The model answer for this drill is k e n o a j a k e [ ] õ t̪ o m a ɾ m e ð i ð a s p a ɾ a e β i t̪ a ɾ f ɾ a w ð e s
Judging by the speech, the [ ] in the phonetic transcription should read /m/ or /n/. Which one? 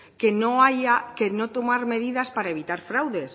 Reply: n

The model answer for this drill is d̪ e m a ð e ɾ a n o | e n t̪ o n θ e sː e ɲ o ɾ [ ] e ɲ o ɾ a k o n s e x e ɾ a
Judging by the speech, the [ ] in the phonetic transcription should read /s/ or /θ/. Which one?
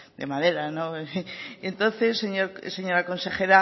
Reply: s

